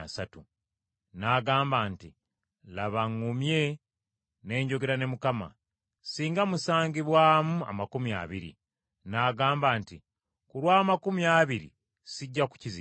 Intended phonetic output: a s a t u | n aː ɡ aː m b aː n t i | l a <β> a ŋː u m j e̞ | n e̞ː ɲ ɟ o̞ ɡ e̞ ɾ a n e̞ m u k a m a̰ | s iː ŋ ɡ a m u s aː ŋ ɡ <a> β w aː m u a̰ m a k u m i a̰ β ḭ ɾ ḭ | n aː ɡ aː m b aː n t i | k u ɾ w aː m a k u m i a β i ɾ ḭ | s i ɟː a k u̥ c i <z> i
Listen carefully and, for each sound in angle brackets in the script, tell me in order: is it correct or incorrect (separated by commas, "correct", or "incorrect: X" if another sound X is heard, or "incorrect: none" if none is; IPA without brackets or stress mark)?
correct, incorrect: i, correct